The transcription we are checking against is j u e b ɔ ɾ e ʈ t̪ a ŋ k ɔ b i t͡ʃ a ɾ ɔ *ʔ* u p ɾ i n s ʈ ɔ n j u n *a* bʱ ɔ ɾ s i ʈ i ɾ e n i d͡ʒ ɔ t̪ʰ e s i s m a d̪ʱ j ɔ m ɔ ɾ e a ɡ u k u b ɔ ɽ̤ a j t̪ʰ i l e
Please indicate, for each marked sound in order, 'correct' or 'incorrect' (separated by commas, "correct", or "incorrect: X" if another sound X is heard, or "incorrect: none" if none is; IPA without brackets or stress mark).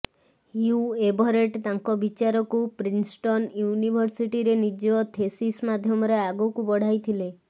incorrect: k, incorrect: i